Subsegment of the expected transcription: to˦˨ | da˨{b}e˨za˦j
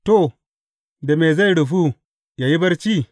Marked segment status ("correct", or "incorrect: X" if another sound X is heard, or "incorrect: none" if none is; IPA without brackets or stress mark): incorrect: m